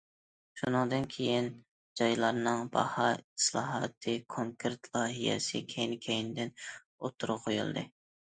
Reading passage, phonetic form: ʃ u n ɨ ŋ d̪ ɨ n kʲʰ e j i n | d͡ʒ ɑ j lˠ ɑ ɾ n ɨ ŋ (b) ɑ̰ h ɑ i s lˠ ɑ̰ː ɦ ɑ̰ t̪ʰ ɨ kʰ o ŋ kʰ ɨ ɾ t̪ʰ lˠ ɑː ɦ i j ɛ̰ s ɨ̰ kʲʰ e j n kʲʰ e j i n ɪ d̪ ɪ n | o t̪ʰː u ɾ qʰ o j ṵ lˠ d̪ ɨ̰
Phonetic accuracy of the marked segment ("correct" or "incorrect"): correct